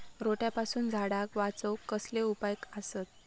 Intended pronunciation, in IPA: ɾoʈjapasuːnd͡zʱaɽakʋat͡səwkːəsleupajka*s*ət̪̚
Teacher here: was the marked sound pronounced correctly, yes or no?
yes